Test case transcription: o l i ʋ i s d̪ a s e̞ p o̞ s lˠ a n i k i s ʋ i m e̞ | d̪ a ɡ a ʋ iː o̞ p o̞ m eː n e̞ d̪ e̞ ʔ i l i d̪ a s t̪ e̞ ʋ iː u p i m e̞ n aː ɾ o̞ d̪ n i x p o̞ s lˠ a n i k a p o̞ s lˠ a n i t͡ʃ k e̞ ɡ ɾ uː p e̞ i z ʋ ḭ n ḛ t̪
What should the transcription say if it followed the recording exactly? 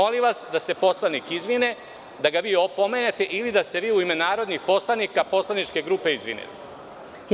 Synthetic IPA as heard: o l i ʋ a s d̪ a s e̞ p o̞ s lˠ a n i k i z ʋ i n e̞ | d̪ a ɡ a ʋ iː o̞ p o̞ m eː n e̞ t̪ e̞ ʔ i l i d̪ a s t̪ e̞ ʋ iː u i m e̞ n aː ɾ o̞ d̪ n i x p o̞ s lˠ a n i k a p o̞ s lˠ a n i t͡ʃ k e̞ ɡ ɾ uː p e̞ i z ʋ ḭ n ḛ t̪